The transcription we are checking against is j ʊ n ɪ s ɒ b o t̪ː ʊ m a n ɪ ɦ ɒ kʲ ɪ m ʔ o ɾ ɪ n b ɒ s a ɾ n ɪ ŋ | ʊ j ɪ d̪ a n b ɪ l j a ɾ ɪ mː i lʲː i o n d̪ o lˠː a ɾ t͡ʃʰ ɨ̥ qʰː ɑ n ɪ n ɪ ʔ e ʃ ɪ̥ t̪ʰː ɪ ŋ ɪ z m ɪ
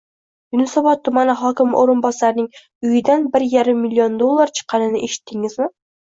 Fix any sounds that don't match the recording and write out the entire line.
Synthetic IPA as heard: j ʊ n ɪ s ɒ b ɒ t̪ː ʊ m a n ɪ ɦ ɒ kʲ ɪ m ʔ o ɾ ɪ n b ɒ s a ɾ n ɪ ŋ | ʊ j ɪ d̪ a n b ɪ ɾ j a ɾ ɪ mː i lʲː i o n d̪ o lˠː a ɾ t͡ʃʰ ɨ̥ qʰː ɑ n ɪ n ɪ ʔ e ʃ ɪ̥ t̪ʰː ɪ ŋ ɪ z m ɪ